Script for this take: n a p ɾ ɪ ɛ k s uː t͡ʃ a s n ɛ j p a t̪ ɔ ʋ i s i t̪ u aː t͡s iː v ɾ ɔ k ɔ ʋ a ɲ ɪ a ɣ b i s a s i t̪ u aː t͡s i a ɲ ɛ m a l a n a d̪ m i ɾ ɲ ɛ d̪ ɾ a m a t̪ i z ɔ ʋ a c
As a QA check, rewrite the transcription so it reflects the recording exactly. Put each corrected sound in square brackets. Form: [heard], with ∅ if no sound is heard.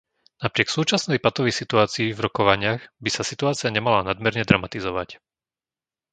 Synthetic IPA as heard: n a p ɾ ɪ ɛ k s uː t͡ʃ a s n ɛ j p a t̪ ɔ ʋ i s i t̪ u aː t͡s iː v ɾ ɔ k ɔ ʋ a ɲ ɪ a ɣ b i s a s i t̪ u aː t͡s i a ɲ ɛ m a l a n a d̪ m [ɛ] ɾ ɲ ɛ d̪ ɾ a m a t̪ i z ɔ ʋ a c